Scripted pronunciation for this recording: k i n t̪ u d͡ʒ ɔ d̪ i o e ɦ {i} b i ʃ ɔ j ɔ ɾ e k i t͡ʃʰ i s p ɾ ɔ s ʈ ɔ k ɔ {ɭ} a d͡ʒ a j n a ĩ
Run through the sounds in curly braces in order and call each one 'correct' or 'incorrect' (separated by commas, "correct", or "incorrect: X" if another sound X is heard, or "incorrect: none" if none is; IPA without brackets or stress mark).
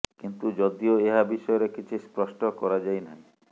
incorrect: a, incorrect: ɾ